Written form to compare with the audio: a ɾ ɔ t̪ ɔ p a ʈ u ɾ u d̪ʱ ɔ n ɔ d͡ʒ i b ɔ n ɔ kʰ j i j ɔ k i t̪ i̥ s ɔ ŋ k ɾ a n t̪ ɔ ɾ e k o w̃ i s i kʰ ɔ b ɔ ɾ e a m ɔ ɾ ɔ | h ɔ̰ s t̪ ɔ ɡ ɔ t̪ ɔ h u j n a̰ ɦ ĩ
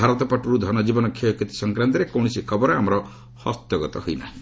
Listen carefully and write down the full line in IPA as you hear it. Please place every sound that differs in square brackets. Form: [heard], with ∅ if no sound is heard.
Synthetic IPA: a ɾ ɔ t̪ ɔ p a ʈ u ɾ u d̪ʱ ɔ n ɔ d͡ʒ i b ɔ n ɔ kʰ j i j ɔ k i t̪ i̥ s ɔ ŋ k ɾ a n t̪ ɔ ɾ e k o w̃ i s i kʰ ɔ b ɔ ɾ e a m ɔ ɾ ɔ | h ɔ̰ s t̪ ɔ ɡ ɔ t̪ ɔ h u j n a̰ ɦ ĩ

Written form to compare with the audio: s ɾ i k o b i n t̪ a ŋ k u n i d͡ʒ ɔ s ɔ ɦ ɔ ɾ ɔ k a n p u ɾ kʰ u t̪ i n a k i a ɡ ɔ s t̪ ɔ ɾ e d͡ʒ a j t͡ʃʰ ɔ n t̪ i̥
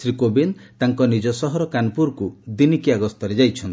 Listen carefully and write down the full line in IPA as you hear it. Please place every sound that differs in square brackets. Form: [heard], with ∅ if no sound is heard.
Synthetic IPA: s ɾ i k o b i n t̪ a ŋ k [ɔ] n i d͡ʒ ɔ s ɔ ɦ ɔ ɾ ɔ k a n p u ɾ [k] u [d̪] i n [i] k i a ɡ ɔ s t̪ ɔ ɾ e d͡ʒ a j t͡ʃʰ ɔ n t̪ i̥

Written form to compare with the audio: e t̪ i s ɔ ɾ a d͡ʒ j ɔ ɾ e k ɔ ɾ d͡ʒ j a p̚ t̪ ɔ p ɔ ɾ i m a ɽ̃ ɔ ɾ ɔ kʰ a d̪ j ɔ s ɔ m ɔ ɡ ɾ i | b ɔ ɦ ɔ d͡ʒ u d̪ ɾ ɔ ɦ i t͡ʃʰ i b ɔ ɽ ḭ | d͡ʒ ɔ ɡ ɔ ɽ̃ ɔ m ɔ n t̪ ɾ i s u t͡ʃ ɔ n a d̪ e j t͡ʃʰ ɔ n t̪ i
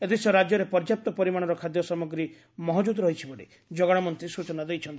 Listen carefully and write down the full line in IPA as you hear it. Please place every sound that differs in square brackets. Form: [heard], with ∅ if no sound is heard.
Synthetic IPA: e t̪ i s ɔ ɾ a d͡ʒ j ɔ ɾ e [p] ɔ ɾ d͡ʒ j a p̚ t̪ ɔ p ɔ ɾ i m a ɽ̃ ɔ ɾ ɔ kʰ a d̪ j ɔ s ɔ m ɔ ɡ ɾ i | [m] ɔ ɦ ɔ d͡ʒ u d̪ ɾ ɔ ɦ i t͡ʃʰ i b ɔ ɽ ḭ | d͡ʒ ɔ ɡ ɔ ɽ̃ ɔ m ɔ n t̪ ɾ i s u t͡ʃ ɔ n a d̪ e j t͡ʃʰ ɔ n t̪ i

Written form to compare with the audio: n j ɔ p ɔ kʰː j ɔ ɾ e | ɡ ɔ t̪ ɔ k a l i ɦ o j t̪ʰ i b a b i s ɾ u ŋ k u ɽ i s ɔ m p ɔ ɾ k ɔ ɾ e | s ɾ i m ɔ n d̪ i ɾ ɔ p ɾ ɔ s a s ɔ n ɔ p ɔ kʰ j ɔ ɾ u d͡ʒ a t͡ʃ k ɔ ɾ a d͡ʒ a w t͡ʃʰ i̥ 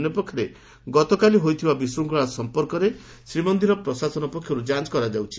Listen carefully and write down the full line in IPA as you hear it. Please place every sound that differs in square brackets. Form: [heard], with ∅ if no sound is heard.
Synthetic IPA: n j ɔ p ɔ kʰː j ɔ ɾ e | ɡ ɔ t̪ ɔ k a l i ɦ o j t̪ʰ i b a b i s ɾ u ŋ k [ɔ] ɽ [a] s ɔ m p ɔ ɾ k ɔ ɾ e | s ɾ i m ɔ n d̪ i ɾ ɔ p ɾ ɔ s a s ɔ n ɔ p ɔ kʰ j ɔ ɾ u d͡ʒ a t͡ʃ k ɔ ɾ a d͡ʒ a w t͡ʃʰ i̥

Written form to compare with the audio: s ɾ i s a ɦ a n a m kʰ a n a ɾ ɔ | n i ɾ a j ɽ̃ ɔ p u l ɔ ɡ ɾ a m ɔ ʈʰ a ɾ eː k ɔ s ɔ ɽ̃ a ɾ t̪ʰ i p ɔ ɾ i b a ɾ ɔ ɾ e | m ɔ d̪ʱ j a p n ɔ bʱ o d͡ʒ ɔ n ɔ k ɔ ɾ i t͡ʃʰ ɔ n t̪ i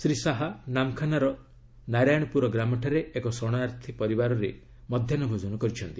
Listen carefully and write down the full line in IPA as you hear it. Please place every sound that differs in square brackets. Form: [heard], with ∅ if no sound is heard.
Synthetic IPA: s ɾ i s a ɦ a n a m kʰ a n a ɾ ɔ | n [a] ɾ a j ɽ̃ ɔ p u [ɾ] ɔ ɡ ɾ a m ɔ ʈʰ a ɾ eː k ɔ s ɔ ɽ̃ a ɾ t̪ʰ i p ɔ ɾ i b a ɾ ɔ ɾ e | m ɔ d̪ʱ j a [∅] n ɔ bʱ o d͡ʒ ɔ n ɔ k ɔ ɾ i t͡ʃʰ ɔ n t̪ i

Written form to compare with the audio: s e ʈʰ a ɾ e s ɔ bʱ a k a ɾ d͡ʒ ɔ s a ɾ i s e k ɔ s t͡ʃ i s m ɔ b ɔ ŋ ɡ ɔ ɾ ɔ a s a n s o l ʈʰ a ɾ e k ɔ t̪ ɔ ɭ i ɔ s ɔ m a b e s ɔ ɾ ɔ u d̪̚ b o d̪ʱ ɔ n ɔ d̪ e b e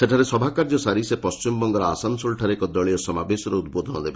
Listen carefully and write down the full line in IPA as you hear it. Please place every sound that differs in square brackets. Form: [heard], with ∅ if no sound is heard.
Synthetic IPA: s e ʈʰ a ɾ e s ɔ bʱ a k a ɾ d͡ʒ ɔ s a ɾ i s e [p] ɔ s t͡ʃ i [∅] m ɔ b ɔ ŋ ɡ ɔ ɾ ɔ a s a n s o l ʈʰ a ɾ e k ɔ [d̪] ɔ ɭ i ɔ s ɔ m a b e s ɔ ɾ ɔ u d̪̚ b o d̪ʱ ɔ n ɔ d̪ e b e

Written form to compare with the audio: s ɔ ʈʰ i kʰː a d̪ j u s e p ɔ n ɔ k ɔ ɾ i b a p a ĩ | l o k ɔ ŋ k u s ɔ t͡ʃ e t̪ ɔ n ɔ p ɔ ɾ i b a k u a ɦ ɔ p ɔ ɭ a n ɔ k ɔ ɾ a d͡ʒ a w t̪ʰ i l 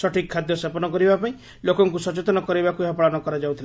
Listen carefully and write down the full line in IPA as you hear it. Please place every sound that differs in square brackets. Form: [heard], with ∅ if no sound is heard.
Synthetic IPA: s ɔ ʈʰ i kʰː a d̪ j [ɔ] s e p ɔ n ɔ k ɔ ɾ i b a p a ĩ | l o k ɔ ŋ k u s ɔ t͡ʃ e t̪ ɔ n ɔ [k] ɔ ɾ i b a k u [e] ɦ ɔ p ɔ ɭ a n ɔ k ɔ ɾ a d͡ʒ a w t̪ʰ i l

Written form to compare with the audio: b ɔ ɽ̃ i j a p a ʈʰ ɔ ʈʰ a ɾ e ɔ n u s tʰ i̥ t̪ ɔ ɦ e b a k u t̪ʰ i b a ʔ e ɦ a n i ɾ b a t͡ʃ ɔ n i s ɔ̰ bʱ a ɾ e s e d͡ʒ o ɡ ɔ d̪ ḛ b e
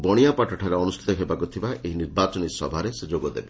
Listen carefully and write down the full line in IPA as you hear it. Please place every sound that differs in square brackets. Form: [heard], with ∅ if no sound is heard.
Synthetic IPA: b ɔ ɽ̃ i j a p a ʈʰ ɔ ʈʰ a ɾ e ɔ n u s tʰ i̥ t̪ ɔ ɦ e b a k u t̪ʰ i b a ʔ e ɦ [i] n i ɾ b a t͡ʃ ɔ n i s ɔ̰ bʱ a ɾ e s e d͡ʒ o ɡ ɔ d̪ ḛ b e

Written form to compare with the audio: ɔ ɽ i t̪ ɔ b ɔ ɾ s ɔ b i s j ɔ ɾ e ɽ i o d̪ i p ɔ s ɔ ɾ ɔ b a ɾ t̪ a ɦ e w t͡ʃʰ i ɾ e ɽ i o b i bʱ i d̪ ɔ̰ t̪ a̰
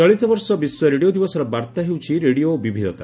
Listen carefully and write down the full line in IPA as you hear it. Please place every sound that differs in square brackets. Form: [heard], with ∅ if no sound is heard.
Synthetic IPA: ɔ [ɭ] i t̪ ɔ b ɔ ɾ s ɔ b i s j ɔ ɾ e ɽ i o d̪ i [b] ɔ s ɔ ɾ ɔ b a ɾ t̪ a ɦ e w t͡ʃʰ i ɾ e ɽ i o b i bʱ i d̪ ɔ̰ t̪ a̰

